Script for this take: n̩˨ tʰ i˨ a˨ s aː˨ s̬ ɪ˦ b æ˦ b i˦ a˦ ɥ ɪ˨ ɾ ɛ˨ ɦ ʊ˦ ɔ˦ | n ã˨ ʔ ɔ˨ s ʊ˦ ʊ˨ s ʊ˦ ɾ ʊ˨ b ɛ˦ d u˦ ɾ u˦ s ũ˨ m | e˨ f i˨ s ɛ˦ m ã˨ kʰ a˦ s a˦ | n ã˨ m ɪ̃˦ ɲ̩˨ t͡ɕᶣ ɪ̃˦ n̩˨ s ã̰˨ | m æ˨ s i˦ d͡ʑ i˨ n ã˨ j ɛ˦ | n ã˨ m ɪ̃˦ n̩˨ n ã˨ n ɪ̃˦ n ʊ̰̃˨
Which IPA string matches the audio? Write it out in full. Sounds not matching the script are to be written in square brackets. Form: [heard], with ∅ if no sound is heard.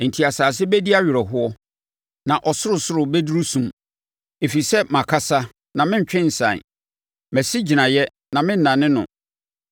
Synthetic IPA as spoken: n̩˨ tʰ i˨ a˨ s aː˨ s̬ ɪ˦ b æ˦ [d] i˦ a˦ ɥ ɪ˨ ɾ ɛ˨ ɦ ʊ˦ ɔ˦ | n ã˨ ʔ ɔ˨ s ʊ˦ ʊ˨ s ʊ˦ ɾ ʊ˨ b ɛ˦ d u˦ ɾ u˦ s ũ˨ m | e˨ f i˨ s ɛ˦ m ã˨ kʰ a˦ s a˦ | n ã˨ m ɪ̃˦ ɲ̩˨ t͡ɕᶣ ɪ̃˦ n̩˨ s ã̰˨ | m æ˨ s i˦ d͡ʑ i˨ n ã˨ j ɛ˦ | n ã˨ m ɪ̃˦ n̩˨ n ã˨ n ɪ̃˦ n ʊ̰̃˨

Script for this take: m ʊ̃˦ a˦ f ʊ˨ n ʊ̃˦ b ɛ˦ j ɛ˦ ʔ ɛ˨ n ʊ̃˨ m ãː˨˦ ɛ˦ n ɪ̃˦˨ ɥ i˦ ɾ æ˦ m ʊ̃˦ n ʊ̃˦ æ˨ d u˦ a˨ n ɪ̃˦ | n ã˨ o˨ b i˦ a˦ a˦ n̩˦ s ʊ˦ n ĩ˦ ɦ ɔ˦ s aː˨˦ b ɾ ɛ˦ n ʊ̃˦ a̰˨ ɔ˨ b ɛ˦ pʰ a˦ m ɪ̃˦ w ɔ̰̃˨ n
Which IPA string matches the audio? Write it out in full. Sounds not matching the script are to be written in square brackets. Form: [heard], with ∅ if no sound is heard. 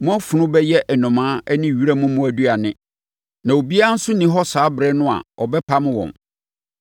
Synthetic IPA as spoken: m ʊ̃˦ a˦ f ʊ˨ n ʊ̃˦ b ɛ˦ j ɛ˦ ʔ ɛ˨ n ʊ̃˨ m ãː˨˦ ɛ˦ n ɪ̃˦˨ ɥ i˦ ɾ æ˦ m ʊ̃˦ [m] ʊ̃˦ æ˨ d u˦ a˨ n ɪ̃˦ | n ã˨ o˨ b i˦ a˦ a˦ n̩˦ s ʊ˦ n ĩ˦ ɦ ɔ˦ s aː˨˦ b ɾ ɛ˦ n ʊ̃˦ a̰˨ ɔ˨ b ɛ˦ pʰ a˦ m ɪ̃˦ w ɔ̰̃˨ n

